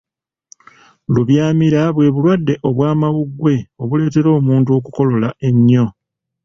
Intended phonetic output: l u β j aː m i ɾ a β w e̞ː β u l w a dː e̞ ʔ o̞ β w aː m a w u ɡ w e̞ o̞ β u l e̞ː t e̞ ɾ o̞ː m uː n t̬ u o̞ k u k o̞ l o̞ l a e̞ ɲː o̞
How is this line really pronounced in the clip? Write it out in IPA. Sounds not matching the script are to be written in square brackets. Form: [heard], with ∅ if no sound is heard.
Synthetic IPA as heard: l u β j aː m i ɾ a β w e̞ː β u l w a dː e̞ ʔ o̞ β w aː m a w u ɡ w e̞ o̞ β u l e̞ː t e̞ ɾ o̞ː m uː n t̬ u o̞ k u k o̞ l o̞ l a e̞ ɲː o̞